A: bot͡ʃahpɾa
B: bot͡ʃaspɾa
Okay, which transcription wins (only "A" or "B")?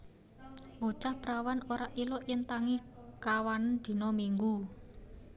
A